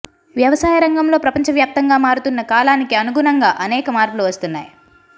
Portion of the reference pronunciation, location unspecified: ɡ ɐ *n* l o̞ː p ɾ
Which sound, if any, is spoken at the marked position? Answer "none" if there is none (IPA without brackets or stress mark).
m